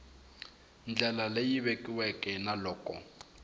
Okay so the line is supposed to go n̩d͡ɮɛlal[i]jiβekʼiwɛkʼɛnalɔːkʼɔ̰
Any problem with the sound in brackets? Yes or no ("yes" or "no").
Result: yes